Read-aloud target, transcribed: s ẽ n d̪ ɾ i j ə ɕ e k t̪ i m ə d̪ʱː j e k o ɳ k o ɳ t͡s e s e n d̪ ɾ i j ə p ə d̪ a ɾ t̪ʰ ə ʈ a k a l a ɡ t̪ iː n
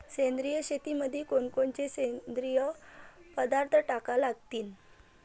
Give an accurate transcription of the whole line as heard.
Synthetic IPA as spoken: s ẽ n d̪ ɾ i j ə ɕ e t̪ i m ə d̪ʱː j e k o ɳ k o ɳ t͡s e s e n d̪ ɾ i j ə p ə d̪ a ɾ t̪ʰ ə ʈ a k a l a ɡ t̪ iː n